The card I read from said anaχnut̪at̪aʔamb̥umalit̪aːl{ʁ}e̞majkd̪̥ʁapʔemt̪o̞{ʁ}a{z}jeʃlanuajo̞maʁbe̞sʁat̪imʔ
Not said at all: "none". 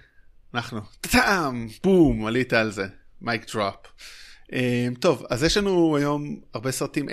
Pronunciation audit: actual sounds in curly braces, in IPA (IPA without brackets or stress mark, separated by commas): z, v, z